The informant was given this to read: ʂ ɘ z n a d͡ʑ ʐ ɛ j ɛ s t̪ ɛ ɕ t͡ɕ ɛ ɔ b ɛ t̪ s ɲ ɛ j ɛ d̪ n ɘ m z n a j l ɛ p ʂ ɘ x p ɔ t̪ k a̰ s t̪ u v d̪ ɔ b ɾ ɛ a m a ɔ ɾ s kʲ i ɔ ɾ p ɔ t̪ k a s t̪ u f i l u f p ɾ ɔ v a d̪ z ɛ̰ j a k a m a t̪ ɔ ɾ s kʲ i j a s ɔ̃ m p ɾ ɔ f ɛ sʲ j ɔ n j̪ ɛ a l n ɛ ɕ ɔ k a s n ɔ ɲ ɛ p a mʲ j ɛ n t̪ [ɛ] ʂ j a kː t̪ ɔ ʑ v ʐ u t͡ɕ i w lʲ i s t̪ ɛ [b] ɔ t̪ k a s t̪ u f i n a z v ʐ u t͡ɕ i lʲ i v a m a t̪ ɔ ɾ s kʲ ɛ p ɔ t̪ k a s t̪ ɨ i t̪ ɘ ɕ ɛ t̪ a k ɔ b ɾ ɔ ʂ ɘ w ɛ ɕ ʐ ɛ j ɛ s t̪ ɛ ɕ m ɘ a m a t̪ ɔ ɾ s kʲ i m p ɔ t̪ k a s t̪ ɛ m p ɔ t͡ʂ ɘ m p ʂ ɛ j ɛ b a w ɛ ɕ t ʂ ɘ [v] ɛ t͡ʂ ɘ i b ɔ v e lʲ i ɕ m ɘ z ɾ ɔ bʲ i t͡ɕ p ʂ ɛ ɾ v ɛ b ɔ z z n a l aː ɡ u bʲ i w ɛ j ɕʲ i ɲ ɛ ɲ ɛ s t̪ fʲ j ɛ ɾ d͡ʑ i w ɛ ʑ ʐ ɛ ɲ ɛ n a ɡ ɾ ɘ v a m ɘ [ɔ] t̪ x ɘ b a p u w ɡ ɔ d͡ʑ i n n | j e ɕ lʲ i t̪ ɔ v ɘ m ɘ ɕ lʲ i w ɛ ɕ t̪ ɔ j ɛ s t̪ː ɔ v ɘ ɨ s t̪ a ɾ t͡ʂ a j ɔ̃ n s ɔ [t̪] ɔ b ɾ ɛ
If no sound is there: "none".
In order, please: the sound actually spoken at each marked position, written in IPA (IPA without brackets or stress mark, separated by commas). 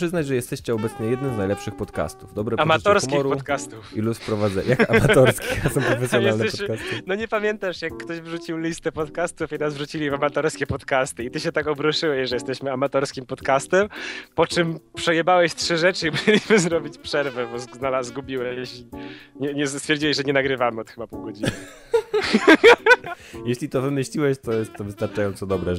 a, p, ʐ, ɔ, d̪